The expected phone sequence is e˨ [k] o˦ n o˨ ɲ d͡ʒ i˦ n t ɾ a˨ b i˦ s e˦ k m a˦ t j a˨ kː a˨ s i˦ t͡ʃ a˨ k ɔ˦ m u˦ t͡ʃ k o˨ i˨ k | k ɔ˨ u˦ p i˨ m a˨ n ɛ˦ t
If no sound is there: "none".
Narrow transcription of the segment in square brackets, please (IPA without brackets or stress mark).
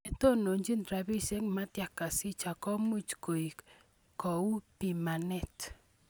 t